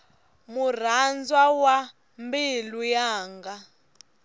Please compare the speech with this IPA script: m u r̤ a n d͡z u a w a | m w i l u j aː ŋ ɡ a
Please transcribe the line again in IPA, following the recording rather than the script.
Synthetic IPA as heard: m u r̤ a n d͡z w a w a | m b i l u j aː ŋ ɡ a